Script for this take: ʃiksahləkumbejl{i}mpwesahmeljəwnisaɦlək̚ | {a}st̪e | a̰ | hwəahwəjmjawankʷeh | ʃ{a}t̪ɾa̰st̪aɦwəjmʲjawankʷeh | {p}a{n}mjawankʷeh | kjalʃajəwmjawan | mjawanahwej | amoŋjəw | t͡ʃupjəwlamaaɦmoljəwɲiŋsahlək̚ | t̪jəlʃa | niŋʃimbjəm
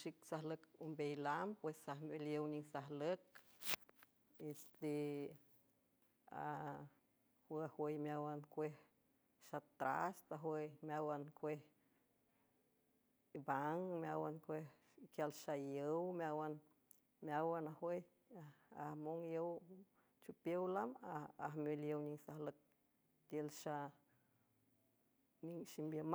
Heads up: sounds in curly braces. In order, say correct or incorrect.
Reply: incorrect: a, incorrect: e, correct, incorrect: b, incorrect: ŋ

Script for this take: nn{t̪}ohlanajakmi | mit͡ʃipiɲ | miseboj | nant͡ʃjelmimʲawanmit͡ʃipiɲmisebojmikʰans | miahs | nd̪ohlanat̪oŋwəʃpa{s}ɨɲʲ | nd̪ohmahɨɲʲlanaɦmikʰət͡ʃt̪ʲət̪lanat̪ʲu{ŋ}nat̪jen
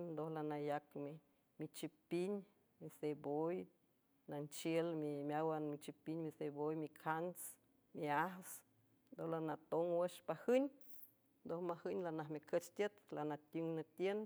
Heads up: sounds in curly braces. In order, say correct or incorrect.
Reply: incorrect: d̪, incorrect: h, correct

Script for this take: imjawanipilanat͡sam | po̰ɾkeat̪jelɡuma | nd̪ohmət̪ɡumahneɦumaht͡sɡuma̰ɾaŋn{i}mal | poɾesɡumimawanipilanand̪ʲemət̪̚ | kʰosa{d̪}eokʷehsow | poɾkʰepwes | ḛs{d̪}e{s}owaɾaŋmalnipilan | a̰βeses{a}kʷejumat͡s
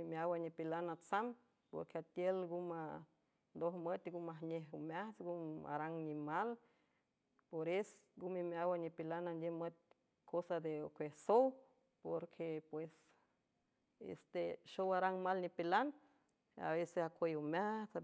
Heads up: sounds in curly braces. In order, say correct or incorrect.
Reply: correct, correct, incorrect: t̪, incorrect: ʃ, correct

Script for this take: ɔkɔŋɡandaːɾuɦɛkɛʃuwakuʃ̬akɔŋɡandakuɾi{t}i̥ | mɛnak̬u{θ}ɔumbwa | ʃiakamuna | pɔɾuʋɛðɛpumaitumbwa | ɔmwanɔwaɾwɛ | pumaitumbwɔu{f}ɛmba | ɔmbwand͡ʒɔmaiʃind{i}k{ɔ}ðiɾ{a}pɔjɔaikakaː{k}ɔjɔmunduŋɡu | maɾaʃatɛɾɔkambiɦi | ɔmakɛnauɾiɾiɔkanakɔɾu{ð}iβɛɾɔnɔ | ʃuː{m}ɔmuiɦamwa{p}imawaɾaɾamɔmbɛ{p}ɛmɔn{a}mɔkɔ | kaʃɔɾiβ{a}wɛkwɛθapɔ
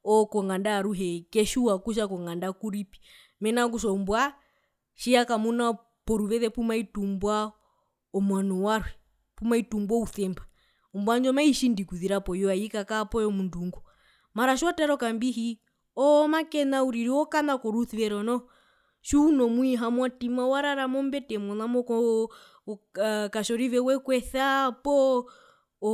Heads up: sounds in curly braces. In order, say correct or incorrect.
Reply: incorrect: p, incorrect: ʃ, incorrect: θ, correct, incorrect: u, correct, incorrect: p, incorrect: θ, incorrect: n, incorrect: t, incorrect: t, correct, incorrect: ɛ

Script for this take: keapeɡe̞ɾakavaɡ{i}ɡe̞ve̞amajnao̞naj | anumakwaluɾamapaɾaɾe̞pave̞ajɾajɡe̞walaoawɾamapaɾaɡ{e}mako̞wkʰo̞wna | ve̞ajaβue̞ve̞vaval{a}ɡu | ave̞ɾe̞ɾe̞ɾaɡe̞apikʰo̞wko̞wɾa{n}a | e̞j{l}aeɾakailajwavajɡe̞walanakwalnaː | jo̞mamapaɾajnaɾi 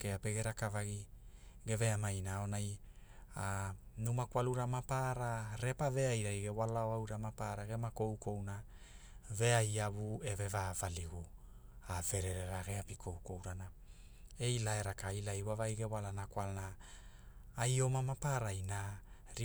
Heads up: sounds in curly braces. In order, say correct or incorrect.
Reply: correct, correct, incorrect: i, correct, correct

